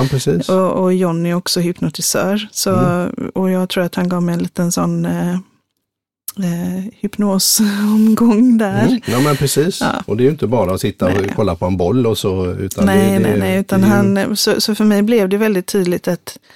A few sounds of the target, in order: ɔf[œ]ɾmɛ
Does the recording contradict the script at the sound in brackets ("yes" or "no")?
no